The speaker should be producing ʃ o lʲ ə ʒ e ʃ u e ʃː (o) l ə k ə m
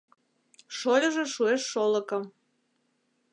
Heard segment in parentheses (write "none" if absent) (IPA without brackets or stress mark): o